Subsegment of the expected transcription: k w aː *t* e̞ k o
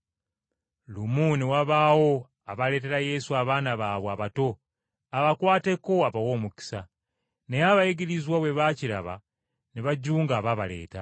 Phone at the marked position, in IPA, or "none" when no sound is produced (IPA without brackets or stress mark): t